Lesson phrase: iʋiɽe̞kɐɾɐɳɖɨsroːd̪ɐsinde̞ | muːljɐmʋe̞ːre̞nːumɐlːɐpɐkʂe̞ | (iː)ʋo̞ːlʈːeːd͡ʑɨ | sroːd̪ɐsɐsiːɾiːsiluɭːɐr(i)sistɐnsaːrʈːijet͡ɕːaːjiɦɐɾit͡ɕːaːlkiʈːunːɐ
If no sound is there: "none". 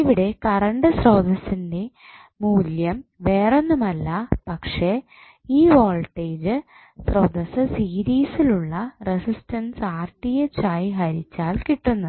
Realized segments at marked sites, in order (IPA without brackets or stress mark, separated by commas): iː, e